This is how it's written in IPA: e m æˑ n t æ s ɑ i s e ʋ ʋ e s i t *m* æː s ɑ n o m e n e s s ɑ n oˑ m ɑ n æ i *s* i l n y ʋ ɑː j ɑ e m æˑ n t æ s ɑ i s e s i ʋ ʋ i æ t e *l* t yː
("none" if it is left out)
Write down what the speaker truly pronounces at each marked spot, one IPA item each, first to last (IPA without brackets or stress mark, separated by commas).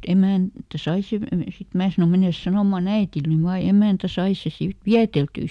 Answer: m, t, l